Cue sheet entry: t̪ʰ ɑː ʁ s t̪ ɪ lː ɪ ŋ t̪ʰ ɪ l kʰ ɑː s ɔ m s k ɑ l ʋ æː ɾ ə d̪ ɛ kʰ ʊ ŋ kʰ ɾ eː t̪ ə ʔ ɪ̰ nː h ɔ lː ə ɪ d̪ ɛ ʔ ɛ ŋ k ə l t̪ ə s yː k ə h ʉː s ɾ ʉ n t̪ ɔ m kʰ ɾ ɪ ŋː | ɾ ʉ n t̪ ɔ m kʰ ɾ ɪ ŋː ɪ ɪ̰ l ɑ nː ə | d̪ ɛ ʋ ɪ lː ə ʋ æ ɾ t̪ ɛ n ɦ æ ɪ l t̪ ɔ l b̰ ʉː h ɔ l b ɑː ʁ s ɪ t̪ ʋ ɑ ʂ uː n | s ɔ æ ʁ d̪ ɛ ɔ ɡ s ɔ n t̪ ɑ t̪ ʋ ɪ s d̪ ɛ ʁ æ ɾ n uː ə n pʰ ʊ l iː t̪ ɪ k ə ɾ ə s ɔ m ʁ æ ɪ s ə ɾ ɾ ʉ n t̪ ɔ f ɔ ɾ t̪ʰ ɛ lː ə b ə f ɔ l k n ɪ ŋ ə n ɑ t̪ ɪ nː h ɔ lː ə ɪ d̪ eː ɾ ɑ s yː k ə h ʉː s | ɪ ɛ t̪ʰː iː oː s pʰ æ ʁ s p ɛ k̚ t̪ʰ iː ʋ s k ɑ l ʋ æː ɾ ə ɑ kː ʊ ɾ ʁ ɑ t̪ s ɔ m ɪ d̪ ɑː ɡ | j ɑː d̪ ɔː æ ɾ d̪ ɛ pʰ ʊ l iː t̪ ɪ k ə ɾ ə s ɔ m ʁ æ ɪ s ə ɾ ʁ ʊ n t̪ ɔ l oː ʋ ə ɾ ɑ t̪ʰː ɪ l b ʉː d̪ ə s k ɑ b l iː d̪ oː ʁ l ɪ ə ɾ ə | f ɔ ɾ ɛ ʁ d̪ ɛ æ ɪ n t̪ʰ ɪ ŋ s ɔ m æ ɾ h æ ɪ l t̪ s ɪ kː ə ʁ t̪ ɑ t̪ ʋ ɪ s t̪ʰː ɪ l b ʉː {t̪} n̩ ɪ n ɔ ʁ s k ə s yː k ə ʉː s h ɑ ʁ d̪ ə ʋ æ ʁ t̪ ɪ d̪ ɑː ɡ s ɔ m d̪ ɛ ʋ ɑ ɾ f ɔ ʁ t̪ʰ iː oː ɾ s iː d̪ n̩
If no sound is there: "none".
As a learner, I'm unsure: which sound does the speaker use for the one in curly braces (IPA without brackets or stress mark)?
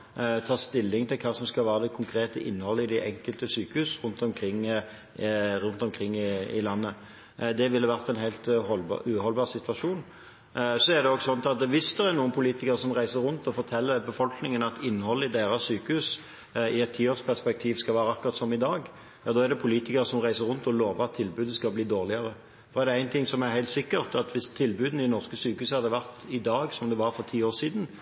d̪